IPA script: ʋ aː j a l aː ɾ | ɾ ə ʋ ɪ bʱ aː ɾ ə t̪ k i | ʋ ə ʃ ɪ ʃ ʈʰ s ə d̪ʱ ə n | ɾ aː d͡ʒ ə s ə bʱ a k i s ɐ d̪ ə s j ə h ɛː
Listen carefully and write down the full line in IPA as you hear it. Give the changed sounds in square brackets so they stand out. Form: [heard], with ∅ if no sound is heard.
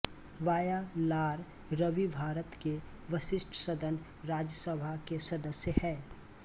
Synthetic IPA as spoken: ʋ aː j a l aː ɾ | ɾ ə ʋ [i] bʱ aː ɾ ə t̪ k [e] | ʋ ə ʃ ɪ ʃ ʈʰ s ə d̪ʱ ə n | ɾ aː d͡ʒ ə s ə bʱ a k [e] s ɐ d̪ ə s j ə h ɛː